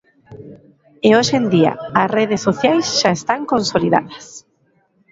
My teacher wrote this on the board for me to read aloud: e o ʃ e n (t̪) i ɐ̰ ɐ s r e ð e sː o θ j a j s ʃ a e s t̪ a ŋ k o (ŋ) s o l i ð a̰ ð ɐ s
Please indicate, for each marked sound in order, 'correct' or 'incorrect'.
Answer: incorrect: d̪, incorrect: n

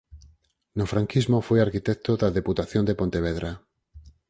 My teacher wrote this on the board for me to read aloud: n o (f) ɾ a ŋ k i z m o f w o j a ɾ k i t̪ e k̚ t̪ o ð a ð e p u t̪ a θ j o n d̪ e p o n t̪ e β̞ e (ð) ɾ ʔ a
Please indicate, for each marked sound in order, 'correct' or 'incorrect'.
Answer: correct, correct

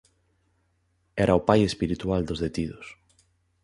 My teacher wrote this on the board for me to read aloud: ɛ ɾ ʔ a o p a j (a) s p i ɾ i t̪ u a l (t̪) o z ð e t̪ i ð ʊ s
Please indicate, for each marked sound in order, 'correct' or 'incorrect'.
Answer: incorrect: e, incorrect: d̪

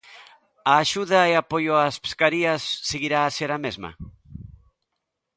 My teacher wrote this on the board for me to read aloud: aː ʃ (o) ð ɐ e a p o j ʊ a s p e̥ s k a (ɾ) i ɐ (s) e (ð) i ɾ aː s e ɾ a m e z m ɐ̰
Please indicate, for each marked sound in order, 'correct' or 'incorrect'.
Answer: incorrect: u, correct, incorrect: sː, incorrect: ɣ

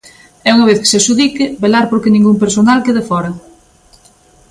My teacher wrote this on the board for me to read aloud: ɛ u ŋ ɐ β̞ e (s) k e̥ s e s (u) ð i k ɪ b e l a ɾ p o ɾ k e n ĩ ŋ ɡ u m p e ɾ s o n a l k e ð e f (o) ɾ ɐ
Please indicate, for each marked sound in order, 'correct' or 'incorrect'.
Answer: incorrect: θ, correct, incorrect: ɔ

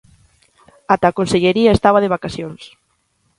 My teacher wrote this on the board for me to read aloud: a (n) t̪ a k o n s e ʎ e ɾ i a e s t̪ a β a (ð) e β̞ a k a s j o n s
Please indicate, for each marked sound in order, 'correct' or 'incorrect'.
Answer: incorrect: none, correct

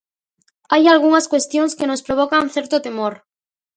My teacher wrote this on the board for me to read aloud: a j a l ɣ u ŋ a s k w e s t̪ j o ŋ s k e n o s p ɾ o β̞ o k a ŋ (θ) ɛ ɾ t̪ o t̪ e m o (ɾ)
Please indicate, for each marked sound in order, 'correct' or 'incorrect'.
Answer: correct, correct

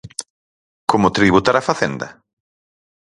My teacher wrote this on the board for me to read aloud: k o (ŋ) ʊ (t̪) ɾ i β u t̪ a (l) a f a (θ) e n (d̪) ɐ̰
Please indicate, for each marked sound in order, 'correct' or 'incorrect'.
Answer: incorrect: m, correct, incorrect: ɾ, correct, correct

